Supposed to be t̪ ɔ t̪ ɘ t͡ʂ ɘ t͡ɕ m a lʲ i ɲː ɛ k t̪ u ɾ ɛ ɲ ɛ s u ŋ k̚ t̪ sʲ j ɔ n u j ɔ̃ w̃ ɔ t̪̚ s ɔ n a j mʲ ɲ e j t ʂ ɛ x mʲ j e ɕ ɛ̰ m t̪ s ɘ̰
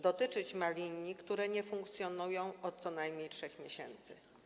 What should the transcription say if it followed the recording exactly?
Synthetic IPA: d̪ ɔ t̪ ɘ t͡ʂ ɘ t͡ɕ m a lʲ i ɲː i k t̪ u ɾ ɛ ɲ ɛ f u ŋ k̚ t̪ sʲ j ɔ n u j ɔ̃ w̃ ɔ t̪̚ s ɔ n a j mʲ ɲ e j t ʂ ɛ x mʲ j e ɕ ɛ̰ n t̪ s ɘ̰